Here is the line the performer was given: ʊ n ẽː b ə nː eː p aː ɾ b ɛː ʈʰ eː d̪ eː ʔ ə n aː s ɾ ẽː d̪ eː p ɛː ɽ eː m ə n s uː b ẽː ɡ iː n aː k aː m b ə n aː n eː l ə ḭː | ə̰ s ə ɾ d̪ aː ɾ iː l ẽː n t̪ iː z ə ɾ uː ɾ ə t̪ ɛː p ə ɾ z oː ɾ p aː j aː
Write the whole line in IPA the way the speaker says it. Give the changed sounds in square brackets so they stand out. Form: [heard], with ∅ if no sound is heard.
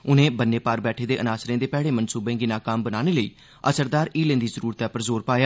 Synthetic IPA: ʊ n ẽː b ə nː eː p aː ɾ b ɛː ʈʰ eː d̪ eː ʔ ə n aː s ɾ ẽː d̪ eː p ɛː ɽ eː m ə n s uː b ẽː ɡ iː n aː k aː m b ə n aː n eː l ə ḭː | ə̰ s ə ɾ d̪ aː ɾ iː l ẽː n [d̪] iː z ə ɾ uː ɾ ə t̪ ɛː p ə ɾ z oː ɾ p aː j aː